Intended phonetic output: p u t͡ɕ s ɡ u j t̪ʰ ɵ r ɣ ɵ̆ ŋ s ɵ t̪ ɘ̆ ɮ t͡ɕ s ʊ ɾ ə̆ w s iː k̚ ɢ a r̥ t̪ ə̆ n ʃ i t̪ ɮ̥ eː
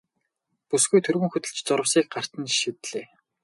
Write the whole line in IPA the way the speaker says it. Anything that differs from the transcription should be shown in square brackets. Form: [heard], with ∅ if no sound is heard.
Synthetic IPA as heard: p u [∅] s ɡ u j t̪ʰ ɵ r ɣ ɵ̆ ŋ [x] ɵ t̪ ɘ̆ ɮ t͡ɕ [t͡s] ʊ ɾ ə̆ w s iː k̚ ɢ a r̥ t̪ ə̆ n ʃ i t̪ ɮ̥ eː